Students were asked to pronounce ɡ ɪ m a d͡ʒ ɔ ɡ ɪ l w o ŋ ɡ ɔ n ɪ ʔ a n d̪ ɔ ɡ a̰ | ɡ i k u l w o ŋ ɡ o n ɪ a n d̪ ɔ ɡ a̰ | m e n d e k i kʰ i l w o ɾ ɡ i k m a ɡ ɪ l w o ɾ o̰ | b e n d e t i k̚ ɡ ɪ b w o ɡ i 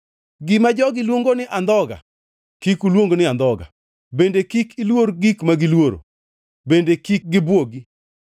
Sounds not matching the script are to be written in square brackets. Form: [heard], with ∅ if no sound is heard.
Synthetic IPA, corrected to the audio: ɡ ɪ m a d͡ʒ ɔ ɡ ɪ l w o ŋ ɡ [o] n ɪ ʔ a n d̪ ɔ ɡ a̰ | [k] i k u l w o ŋ ɡ o n ɪ a n d̪ ɔ ɡ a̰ | [b] e n d e k i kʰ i l w o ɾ ɡ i k m a ɡ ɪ l w o ɾ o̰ | b e n d e [k] i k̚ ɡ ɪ b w o ɡ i